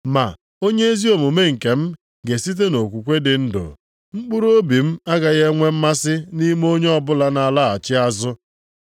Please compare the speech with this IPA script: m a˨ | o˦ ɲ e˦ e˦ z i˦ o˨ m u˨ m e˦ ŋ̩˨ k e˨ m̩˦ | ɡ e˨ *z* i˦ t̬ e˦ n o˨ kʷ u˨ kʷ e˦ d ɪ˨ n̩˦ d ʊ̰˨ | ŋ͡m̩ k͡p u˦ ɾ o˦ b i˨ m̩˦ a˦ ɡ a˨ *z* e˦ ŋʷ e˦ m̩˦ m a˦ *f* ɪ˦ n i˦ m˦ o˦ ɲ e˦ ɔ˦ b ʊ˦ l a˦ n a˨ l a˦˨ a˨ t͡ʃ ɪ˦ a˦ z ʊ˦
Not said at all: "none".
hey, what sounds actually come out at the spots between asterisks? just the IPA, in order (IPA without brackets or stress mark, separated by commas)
s, ɣ, s